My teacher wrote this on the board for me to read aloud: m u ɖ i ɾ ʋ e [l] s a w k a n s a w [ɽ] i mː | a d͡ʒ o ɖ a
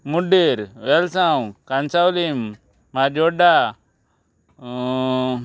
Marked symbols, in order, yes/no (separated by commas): yes, no